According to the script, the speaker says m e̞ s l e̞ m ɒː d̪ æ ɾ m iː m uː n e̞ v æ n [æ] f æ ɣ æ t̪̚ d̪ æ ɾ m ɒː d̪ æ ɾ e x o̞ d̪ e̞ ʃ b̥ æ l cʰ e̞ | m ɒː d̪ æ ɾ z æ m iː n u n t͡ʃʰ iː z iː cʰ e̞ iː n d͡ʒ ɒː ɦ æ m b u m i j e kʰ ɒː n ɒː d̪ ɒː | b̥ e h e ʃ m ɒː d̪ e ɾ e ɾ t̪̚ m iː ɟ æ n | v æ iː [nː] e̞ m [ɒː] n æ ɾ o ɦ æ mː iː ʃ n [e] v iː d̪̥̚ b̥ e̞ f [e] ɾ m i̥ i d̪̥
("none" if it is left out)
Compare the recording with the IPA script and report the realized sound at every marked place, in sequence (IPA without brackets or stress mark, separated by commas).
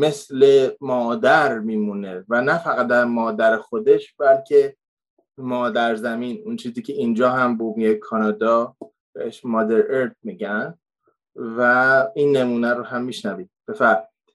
æ, nː, uː, æ, æ